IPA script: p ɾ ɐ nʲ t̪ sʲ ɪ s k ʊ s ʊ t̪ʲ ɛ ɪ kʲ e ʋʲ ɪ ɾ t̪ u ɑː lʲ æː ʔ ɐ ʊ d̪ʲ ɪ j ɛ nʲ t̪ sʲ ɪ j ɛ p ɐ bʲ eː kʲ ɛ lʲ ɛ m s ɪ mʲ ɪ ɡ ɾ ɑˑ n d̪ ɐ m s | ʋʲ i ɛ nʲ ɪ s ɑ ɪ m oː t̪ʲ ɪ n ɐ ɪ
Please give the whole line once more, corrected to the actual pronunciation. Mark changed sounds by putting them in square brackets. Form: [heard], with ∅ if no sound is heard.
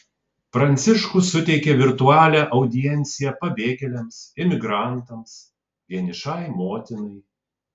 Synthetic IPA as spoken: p ɾ ɐ nʲ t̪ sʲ ɪ [ʃ] k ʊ s ʊ t̪ʲ ɛ ɪ kʲ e ʋʲ ɪ ɾ t̪ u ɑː lʲ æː ʔ ɐ ʊ d̪ʲ ɪ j ɛ nʲ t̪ sʲ ɪ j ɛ p ɐ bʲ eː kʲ ɛ lʲ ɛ m s ɪ mʲ ɪ ɡ ɾ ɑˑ n [t̪] ɐ m s | ʋʲ i ɛ nʲ ɪ [ʃ] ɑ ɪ m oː t̪ʲ ɪ n ɐ ɪ